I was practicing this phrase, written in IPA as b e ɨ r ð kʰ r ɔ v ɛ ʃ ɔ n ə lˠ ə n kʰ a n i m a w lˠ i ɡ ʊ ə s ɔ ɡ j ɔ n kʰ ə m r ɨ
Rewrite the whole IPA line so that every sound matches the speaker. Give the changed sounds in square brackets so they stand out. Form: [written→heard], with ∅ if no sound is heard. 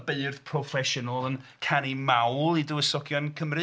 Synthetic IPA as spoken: b e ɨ r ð [kʰ→pʰ] r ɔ [v→f] ɛ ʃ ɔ n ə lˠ ə n kʰ a n i m a w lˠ i [ɡ→d] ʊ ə s ɔ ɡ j ɔ n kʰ ə m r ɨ